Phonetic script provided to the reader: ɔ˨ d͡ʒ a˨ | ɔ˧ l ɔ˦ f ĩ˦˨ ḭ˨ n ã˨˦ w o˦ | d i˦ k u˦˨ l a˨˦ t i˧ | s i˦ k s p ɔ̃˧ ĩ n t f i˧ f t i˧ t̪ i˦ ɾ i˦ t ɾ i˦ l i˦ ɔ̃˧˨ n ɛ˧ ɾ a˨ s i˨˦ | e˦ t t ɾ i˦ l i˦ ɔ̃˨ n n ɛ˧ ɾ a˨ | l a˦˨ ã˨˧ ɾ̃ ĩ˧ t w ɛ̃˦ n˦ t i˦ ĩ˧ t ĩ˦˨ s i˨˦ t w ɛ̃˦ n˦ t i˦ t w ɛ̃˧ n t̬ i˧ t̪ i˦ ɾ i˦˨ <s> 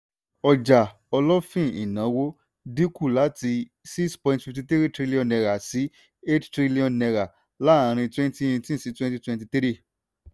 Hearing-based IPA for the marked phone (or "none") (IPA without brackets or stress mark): none